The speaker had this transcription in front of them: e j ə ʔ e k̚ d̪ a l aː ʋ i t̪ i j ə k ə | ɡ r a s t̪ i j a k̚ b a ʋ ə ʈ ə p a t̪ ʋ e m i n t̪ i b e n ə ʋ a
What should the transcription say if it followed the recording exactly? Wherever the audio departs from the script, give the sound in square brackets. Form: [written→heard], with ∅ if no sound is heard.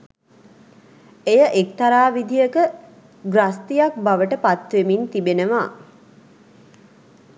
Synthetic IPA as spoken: e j ə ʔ e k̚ [d̪→t̪] a [l→ɾ] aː ʋ i [t̪→d̪] i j ə k ə | ɡ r a s t̪ i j a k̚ b a ʋ ə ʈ ə p a t̪ ʋ e m i n t̪ i b e n ə ʋ a